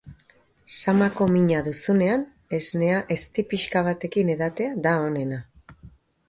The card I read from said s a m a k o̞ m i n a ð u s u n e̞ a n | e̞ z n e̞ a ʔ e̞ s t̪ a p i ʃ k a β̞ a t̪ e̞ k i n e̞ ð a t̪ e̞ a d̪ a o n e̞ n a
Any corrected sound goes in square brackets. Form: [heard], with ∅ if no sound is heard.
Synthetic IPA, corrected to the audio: s a m a k o̞ m i [ɲ] a ð u s u n e̞ a n | e̞ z n e̞ a ʔ e̞ s t̪ [i] p i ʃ k a β̞ a t̪ e̞ k i n e̞ ð a t̪ e̞ a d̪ a o n e̞ n a

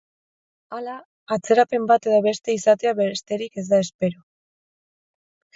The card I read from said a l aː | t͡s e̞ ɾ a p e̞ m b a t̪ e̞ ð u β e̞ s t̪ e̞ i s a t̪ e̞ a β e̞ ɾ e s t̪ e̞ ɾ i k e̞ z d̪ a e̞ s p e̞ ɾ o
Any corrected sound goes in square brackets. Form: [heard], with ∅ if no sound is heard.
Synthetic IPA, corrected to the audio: a l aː | t͡s e̞ ɾ a p e̞ m b a t̪ e̞ ð [o] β e̞ s t̪ e̞ i s a t̪ e̞ a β e̞ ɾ e s t̪ e̞ ɾ i k e̞ z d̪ a e̞ s p e̞ ɾ o

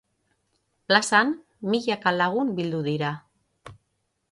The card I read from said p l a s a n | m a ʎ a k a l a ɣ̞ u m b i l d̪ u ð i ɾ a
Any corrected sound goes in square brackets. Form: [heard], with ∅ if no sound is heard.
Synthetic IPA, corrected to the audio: p l a s a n | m [i] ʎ a k a l a ɣ̞ u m b i l d̪ u ð i ɾ a

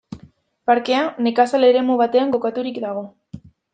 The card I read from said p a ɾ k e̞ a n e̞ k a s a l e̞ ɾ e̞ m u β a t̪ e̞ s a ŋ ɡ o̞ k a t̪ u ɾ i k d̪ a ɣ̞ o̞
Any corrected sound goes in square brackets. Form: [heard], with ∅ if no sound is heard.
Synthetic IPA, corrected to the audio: p a ɾ k e̞ a n e̞ k a s a l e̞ ɾ e̞ m u β a t̪ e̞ [∅] a ŋ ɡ o̞ k a t̪ u ɾ i k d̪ a ɣ̞ o̞

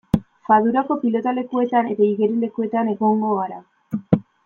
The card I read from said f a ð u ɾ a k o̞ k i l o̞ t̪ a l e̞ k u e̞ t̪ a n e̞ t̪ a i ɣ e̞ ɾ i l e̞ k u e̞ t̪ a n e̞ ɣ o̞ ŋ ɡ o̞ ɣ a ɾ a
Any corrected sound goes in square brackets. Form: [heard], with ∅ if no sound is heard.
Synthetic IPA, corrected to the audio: f a ð u ɾ a k o̞ [p] i l o̞ t̪ a l e̞ k u e̞ t̪ a n e̞ t̪ a i ɣ e̞ ɾ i l e̞ k u e̞ t̪ a n e̞ ɣ o̞ ŋ ɡ o̞ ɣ a ɾ a

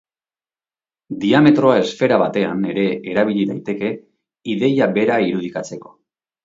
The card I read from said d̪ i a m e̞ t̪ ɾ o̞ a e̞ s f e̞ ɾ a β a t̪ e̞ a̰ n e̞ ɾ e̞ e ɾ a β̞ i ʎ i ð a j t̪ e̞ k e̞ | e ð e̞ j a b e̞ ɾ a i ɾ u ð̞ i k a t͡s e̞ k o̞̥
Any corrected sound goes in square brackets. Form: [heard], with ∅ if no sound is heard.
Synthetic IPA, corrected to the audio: d̪ i a m e̞ t̪ ɾ o̞ a e̞ s f e̞ ɾ a β a t̪ e̞ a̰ n e̞ ɾ e̞ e ɾ a β̞ i ʎ i ð a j t̪ e̞ k e̞ | [i] ð e̞ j a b e̞ ɾ a i ɾ u ð̞ i k a t͡s e̞ k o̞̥

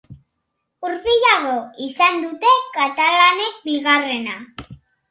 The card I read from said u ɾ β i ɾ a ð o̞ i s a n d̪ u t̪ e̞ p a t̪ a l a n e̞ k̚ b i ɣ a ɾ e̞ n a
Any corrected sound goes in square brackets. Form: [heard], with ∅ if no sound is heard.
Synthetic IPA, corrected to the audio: u ɾ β i [ʎ] a [ɣ] o̞ i s a n d̪ u t̪ e̞ [k] a t̪ a l a n e̞ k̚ b i ɣ a [r] e̞ n a

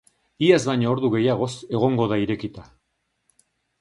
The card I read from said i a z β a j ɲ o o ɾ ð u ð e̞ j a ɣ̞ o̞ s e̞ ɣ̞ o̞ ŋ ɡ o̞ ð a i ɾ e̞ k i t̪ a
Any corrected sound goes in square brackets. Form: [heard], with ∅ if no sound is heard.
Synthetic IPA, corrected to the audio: i a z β a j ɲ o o ɾ ð u [ɣ] e̞ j a ɣ̞ o̞ s e̞ ɣ̞ o̞ ŋ ɡ o̞ ð a i ɾ e̞ k i t̪ a

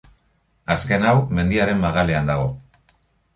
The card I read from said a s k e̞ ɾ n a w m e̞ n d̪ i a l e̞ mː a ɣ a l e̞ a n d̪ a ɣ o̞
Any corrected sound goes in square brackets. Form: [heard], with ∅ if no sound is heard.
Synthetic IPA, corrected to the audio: a s k e̞ [∅] n a w m e̞ n d̪ i a [ɾ] e̞ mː a ɣ a l e̞ a n d̪ a ɣ o̞

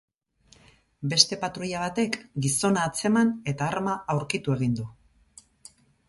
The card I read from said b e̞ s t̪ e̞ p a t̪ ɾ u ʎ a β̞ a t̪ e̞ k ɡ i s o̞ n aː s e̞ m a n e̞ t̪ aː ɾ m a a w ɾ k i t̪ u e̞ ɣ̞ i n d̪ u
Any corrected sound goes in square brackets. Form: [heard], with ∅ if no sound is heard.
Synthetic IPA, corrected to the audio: b e̞ s t̪ e̞ p a t̪ ɾ u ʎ a β̞ a t̪ e̞ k ɡ i s o̞ n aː [t͡s] e̞ m a n e̞ t̪ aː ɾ m a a w ɾ k i t̪ u e̞ ɣ̞ i n d̪ u

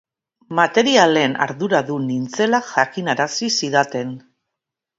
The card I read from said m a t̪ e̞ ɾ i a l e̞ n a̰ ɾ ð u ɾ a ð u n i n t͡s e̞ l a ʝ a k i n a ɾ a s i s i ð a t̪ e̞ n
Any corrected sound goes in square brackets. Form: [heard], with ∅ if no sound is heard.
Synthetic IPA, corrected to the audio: m a t̪ e̞ ɾ i a l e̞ n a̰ ɾ ð u ɾ a ð u n i n t͡s e̞ l a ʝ a k i n a ɾ a s i s i ð a t̪ e̞ n

